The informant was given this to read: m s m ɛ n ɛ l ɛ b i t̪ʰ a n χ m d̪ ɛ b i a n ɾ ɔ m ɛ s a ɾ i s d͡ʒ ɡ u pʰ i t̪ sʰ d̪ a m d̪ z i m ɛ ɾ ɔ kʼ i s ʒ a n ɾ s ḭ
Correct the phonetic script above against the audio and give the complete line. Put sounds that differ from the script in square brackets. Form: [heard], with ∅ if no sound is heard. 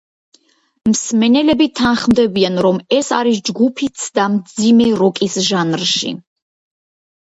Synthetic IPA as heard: m s m ɛ n ɛ l ɛ b i t̪ʰ a n χ m d̪ ɛ b i a n ɾ ɔ m ɛ s a ɾ i s d͡ʒ ɡ u pʰ i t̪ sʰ d̪ a m d̪ z i m ɛ ɾ ɔ kʼ i s ʒ a n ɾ [ʃ] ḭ